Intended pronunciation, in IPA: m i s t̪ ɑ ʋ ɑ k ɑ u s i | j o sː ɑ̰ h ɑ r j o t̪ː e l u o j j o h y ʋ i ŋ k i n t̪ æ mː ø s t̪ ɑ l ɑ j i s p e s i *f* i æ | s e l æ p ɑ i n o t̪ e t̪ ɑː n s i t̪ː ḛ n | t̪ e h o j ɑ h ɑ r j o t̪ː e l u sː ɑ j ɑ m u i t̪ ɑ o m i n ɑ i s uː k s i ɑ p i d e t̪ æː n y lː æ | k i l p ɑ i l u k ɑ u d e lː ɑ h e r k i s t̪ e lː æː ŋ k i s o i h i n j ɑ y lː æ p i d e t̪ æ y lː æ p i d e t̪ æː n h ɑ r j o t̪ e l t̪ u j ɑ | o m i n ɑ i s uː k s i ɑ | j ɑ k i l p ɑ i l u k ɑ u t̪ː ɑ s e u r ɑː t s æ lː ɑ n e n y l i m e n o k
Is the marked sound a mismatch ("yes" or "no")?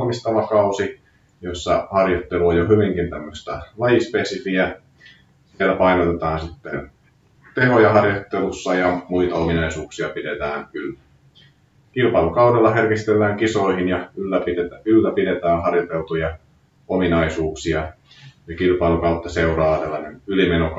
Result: no